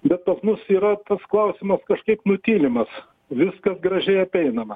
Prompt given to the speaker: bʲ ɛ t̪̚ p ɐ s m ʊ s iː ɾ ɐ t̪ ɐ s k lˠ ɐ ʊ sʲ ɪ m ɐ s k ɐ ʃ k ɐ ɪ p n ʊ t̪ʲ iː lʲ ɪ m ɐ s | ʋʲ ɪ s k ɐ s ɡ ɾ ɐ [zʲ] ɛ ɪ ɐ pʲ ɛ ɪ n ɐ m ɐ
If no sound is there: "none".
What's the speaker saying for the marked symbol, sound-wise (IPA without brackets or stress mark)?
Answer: ʒʲ